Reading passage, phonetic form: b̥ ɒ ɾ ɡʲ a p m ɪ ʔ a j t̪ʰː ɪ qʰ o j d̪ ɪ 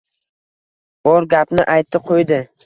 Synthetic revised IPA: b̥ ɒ ɾ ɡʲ a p n ɪ ʔ a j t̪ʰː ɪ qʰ o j d̪ ɪ